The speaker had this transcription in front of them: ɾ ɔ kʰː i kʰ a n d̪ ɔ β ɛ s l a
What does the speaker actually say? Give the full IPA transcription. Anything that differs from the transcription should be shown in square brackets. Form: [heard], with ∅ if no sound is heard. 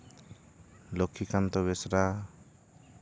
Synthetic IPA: [l] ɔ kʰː i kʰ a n [t̪] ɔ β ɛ s [ɾ] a